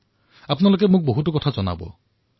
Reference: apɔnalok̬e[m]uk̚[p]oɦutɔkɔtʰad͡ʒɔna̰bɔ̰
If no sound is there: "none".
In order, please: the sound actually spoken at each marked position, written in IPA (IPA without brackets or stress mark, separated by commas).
m, b